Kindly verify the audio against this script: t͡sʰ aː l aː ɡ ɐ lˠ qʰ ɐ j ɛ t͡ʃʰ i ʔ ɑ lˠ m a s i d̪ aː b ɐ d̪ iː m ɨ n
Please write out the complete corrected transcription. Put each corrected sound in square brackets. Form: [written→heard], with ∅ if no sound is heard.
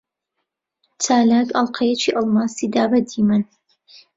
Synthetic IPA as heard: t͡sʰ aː l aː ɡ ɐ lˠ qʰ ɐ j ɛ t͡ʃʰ i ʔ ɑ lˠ m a s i d̪ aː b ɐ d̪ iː m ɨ n